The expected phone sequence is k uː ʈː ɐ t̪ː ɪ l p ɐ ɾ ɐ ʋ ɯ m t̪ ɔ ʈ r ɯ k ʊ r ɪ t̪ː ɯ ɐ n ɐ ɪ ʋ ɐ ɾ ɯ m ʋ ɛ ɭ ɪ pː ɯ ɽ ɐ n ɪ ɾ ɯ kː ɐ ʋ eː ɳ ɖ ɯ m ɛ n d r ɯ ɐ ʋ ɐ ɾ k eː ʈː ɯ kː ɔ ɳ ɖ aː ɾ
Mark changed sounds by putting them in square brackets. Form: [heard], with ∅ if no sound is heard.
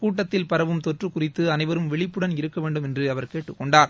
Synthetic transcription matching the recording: k uː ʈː ɐ t̪ː ɪ l p ɐ ɾ ɐ ʋ ɯ m t̪ ɔ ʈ r ɯ k ʊ r ɪ t̪ː ɯ ɐ n ɐ ɪ ʋ ɐ ɾ ɯ m ʋ ɛ ɭ ɪ pː ɯ ɽ ɐ n ɪ ɾ ɯ kː ɐ ʋ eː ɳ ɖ ɯ m ɛ n d r ɯ ɐ ʋ ɐ ɾ k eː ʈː ɯ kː ɔ ɳ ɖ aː ɾ